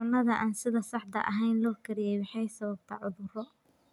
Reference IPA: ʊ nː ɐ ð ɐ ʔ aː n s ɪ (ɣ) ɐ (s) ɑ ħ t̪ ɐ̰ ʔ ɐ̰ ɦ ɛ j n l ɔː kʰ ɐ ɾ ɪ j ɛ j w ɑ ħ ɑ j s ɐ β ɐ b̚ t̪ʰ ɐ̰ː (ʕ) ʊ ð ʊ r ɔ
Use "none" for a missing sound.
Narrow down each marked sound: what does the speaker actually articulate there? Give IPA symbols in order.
ð, s, ʕ

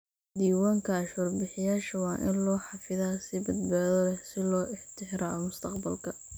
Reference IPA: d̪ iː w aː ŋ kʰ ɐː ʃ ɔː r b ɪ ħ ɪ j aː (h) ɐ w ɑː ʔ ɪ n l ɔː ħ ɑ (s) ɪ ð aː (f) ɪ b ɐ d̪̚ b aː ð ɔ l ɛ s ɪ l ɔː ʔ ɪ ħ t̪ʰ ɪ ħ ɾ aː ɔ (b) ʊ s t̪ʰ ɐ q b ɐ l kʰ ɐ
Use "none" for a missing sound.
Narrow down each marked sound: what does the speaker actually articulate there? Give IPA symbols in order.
ʃ, f, s, m

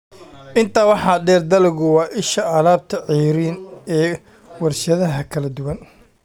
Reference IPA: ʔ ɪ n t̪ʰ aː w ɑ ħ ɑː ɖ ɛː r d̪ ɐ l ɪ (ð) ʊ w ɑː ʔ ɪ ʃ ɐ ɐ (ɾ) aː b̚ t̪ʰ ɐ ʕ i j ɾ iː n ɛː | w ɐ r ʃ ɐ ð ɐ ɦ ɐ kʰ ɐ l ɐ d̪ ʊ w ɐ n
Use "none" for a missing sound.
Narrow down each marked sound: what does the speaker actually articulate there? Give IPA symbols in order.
ɣ, l

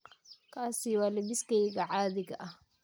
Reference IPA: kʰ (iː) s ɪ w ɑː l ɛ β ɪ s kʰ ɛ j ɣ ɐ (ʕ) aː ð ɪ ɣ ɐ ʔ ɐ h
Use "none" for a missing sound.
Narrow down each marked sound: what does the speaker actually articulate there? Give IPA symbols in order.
aː, ʕ

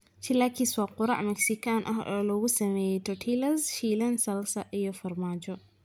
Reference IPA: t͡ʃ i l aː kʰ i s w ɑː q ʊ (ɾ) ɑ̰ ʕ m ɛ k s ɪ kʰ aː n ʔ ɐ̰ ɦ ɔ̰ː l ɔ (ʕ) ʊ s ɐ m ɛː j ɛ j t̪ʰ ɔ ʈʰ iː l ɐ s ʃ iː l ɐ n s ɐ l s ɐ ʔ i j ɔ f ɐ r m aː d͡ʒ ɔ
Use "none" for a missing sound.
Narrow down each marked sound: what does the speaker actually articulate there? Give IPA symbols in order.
ɾ, ɣ

